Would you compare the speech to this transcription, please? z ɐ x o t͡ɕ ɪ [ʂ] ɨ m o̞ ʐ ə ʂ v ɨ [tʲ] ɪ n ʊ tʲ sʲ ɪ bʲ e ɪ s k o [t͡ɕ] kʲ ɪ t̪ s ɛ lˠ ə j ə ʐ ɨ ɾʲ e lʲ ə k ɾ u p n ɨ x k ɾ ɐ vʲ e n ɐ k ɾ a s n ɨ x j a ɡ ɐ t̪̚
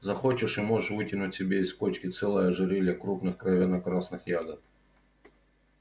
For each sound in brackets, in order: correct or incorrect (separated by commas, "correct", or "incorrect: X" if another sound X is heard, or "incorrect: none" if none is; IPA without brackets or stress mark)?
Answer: correct, correct, correct